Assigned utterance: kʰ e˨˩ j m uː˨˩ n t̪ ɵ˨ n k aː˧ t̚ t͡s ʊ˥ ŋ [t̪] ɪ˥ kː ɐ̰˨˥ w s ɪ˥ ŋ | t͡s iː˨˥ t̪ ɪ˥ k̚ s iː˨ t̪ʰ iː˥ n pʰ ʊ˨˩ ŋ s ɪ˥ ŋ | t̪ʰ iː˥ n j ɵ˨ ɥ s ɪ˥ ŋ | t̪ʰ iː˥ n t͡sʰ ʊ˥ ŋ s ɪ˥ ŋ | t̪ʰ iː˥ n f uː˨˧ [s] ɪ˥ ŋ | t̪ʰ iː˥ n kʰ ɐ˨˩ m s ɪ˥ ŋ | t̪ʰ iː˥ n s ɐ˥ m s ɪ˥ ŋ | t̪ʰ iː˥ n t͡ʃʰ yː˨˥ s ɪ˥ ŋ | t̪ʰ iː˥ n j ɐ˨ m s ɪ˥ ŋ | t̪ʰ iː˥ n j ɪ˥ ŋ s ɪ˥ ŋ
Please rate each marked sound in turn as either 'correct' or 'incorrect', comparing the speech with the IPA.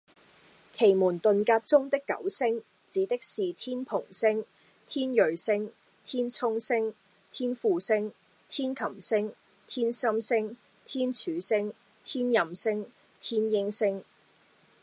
correct, correct

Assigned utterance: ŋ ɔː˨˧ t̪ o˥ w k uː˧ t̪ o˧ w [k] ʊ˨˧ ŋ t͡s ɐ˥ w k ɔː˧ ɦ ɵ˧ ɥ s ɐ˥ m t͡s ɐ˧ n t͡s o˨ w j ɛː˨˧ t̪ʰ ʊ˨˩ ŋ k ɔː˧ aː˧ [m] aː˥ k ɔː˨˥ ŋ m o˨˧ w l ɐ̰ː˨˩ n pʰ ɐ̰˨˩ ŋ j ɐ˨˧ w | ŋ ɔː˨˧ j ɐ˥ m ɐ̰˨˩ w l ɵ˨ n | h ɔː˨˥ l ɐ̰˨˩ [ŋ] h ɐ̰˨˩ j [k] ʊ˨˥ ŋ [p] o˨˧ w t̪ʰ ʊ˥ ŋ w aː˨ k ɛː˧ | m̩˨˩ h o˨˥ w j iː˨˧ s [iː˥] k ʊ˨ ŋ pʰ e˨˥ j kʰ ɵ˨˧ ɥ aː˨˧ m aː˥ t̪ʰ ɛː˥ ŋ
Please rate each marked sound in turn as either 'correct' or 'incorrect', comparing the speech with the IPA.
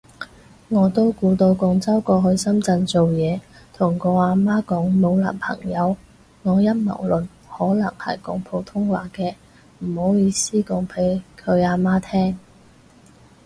correct, correct, correct, correct, incorrect: pʰ, correct

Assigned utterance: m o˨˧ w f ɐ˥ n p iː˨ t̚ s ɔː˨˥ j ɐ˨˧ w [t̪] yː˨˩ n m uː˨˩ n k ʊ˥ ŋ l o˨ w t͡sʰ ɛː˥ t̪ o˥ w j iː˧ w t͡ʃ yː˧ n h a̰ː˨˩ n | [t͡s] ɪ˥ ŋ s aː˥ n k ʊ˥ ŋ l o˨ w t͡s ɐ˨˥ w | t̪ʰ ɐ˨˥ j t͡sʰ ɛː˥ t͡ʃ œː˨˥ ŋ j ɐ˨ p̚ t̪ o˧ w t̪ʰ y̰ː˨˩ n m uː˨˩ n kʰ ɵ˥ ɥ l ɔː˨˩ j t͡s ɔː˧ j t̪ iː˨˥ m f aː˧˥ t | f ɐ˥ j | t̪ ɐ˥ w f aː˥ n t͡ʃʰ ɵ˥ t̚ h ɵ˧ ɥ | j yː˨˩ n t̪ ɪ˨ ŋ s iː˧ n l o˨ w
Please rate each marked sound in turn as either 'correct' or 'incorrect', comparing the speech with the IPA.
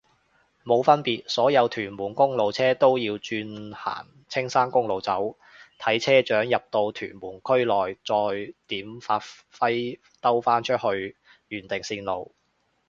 incorrect: t̪ʰ, incorrect: t͡sʰ

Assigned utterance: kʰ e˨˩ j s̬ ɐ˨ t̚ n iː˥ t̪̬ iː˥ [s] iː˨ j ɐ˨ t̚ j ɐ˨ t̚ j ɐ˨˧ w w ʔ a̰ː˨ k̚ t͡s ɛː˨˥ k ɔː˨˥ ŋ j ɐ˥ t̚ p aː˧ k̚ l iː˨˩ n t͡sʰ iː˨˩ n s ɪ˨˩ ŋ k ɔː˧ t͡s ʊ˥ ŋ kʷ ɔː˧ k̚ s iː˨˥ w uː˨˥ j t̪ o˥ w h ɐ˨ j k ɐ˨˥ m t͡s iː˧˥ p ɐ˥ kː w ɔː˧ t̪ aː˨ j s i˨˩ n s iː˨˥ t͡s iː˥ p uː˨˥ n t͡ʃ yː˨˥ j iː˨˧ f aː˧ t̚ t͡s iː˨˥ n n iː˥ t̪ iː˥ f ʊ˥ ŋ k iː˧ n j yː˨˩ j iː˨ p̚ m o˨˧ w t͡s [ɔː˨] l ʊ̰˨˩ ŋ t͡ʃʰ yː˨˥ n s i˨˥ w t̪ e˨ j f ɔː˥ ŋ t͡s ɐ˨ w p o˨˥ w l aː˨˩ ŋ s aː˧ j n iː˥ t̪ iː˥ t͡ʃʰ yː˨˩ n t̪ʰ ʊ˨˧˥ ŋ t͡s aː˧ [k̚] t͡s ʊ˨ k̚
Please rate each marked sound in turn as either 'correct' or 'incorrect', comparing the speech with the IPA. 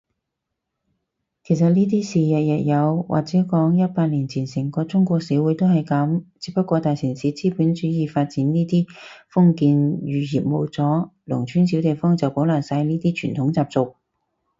correct, incorrect: ɔː˨˥, incorrect: p̚

